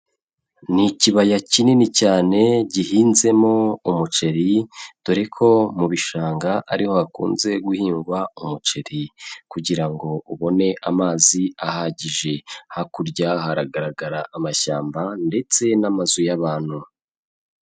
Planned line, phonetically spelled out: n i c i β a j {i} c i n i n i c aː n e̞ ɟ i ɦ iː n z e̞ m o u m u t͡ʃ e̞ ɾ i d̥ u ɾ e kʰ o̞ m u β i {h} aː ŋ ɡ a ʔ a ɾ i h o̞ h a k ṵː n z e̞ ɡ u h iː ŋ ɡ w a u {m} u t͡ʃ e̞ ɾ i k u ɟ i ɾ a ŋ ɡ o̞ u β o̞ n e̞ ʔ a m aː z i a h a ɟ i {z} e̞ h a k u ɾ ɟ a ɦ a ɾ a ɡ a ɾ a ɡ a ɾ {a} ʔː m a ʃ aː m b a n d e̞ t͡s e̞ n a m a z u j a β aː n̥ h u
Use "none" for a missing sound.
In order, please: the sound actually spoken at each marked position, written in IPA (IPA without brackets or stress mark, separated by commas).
a, ʃ, m, ʒ, a